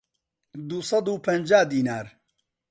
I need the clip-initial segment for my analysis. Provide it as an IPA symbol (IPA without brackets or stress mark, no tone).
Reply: d̪